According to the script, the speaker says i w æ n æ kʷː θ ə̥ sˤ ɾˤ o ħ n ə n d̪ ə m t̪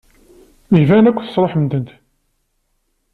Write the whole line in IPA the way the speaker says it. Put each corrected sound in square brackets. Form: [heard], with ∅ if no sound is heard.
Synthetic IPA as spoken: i [v] æ n æ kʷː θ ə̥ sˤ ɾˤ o ħ [m] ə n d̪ ə [n] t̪